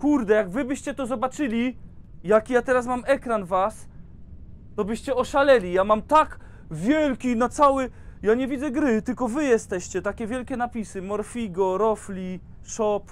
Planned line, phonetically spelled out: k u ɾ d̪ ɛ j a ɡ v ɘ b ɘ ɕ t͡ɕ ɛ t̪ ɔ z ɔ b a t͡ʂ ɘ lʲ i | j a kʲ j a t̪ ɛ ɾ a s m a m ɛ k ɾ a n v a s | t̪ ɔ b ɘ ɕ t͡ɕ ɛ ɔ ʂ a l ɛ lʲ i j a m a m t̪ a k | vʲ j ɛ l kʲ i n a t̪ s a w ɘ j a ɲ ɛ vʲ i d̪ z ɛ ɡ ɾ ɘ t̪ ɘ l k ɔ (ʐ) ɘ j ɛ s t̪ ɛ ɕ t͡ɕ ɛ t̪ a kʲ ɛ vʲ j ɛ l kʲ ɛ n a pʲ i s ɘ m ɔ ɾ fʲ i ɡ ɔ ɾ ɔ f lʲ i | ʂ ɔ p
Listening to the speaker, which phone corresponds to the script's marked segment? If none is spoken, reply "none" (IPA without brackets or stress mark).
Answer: v